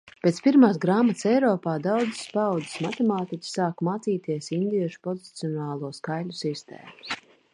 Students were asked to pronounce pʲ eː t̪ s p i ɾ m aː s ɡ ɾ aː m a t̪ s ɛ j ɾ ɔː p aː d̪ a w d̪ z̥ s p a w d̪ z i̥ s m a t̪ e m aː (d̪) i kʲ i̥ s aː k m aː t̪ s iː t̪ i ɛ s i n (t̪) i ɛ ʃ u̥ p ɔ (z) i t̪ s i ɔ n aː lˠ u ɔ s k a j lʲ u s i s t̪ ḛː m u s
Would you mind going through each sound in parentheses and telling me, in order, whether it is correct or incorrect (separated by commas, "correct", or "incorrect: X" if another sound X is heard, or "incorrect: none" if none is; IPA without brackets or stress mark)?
incorrect: t̪, incorrect: d̪, correct